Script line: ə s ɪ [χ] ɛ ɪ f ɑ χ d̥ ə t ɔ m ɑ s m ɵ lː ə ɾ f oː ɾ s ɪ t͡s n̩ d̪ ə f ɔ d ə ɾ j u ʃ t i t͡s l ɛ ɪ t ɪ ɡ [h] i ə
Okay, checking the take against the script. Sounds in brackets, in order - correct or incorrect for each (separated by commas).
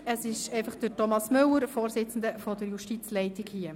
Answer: incorrect, correct